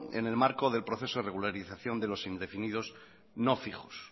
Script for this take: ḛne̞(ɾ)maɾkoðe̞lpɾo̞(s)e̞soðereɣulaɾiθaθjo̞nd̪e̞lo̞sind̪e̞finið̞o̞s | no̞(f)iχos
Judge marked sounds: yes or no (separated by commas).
no, no, yes